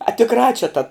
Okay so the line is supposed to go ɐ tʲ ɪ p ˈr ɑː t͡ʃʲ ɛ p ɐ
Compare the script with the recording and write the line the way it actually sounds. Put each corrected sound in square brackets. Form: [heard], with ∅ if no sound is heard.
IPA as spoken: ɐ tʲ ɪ [k] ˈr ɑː t͡ʃʲ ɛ [t] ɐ